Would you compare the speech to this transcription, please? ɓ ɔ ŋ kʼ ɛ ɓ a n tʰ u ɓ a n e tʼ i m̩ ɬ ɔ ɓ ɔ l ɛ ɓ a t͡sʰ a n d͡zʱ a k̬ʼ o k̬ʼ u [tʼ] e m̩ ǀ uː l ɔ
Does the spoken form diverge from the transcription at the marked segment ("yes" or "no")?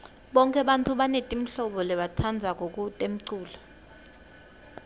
no